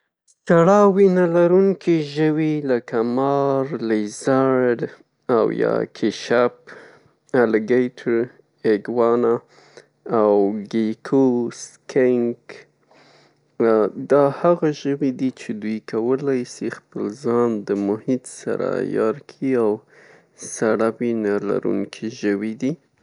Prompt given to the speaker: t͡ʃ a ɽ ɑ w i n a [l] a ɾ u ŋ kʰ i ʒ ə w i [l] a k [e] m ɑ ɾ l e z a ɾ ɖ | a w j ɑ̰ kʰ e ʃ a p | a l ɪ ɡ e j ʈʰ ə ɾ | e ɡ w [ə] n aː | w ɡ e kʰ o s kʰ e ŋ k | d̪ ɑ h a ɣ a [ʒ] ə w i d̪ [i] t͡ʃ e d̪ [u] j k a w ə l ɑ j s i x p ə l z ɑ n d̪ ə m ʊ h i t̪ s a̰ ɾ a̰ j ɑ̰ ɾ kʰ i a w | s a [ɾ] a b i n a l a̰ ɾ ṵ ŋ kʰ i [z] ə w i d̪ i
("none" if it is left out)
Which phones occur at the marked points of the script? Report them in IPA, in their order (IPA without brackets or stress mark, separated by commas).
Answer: l, l, a, ɑ, ʒ, i, u, ɽ, ʒ